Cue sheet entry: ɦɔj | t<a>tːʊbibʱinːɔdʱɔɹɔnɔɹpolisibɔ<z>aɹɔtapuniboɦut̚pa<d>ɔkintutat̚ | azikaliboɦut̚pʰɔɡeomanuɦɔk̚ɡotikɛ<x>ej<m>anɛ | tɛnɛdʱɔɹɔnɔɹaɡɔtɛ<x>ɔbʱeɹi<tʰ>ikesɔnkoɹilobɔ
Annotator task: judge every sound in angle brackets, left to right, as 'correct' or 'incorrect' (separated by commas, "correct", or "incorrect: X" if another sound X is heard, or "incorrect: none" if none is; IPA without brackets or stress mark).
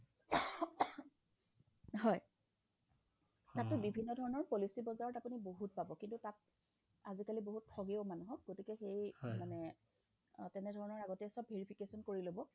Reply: correct, correct, incorrect: b, correct, correct, incorrect: s, incorrect: pʰ